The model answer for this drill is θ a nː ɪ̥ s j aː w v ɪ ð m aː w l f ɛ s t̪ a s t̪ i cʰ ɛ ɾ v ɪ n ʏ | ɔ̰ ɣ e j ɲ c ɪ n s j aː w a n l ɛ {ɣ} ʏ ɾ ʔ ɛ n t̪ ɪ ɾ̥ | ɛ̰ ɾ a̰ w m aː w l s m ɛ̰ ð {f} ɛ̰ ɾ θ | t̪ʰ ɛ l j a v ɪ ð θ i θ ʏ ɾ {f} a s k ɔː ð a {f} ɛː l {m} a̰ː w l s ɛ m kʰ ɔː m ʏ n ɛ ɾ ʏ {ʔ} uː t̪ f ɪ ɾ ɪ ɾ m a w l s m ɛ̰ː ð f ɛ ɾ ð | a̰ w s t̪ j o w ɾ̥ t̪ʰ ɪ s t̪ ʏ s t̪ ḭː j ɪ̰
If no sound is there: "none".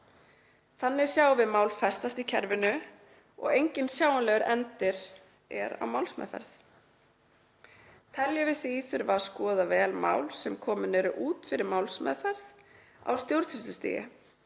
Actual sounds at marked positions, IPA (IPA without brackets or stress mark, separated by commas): ɣ, f, v, v, m, ʔ